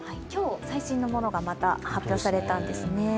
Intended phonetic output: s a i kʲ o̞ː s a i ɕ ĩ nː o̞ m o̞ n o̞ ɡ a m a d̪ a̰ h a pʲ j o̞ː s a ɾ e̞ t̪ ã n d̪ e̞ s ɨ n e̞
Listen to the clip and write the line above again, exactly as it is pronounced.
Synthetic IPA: h a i kʲ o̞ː s a i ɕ ĩ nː o̞ m o̞ n o̞ ɡ a m a t̪ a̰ h a pʲ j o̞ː s a ɾ e̞ t̪ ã n d̪ e̞ s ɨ n e̞